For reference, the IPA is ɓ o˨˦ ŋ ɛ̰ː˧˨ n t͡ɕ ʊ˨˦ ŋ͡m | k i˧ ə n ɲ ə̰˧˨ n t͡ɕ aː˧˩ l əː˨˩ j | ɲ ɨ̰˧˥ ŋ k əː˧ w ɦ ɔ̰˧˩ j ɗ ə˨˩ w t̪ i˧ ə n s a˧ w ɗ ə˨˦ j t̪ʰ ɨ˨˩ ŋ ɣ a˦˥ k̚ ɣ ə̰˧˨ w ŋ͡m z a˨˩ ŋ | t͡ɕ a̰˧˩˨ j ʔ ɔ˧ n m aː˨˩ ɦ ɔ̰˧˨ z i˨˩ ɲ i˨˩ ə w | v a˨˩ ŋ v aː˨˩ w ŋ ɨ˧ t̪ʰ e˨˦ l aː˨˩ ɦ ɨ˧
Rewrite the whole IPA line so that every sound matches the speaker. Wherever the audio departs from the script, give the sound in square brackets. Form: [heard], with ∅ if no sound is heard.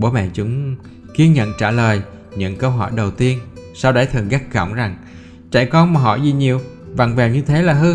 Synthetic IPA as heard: ɓ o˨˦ [m] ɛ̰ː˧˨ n t͡ɕ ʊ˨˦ ŋ͡m | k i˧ ə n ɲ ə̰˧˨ n t͡ɕ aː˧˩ l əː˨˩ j | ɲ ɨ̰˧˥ ŋ k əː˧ w ɦ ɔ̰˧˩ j ɗ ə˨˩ w t̪ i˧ ə n s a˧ w ɗ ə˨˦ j t̪ʰ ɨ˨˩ ŋ ɣ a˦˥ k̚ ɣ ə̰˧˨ w ŋ͡m z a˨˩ ŋ | t͡ɕ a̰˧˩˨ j [k] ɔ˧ n m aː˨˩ ɦ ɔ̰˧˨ z i˨˩ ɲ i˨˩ ə w | v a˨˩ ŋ v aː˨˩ w [ɲ] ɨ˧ t̪ʰ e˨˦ l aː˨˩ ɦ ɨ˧